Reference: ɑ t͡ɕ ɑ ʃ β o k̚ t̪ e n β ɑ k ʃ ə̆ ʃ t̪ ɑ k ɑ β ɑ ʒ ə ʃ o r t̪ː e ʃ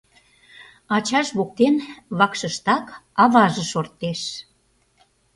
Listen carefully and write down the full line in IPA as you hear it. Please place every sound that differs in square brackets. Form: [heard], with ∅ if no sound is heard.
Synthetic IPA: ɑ t͡ɕ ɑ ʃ β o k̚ t̪ e n β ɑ k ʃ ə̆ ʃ t̪ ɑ k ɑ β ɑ ʒ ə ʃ o r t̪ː e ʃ